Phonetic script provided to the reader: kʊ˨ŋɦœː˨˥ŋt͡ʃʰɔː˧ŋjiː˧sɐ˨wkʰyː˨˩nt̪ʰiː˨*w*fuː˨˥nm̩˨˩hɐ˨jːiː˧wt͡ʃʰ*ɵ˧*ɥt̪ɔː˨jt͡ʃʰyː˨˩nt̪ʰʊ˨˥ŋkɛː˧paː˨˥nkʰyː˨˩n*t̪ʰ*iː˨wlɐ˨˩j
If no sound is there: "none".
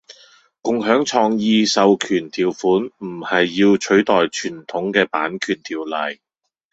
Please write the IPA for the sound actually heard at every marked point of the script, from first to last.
w, ɵ˨˥, t̪ʰ

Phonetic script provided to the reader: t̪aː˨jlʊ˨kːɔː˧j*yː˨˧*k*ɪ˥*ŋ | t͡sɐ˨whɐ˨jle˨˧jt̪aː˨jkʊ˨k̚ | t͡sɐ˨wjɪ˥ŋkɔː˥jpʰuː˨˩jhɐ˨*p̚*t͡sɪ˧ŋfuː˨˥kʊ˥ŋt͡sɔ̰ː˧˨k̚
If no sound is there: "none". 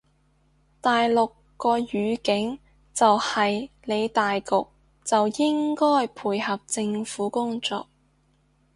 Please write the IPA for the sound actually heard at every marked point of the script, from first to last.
yː˨˧, ɪ˨˥, p̚

